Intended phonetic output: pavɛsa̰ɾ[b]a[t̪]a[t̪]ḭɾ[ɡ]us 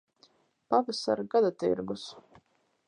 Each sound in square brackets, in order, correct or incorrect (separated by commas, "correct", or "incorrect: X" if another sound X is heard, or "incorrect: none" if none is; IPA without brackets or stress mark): incorrect: ɡ, incorrect: d̪, correct, correct